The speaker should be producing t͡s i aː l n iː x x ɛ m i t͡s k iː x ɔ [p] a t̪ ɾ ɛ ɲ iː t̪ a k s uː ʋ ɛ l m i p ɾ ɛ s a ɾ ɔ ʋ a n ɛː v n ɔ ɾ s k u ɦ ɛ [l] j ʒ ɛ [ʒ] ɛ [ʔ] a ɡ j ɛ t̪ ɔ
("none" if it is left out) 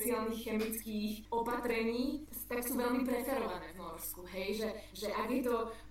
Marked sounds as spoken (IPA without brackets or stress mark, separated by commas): p, none, ʒ, ʔ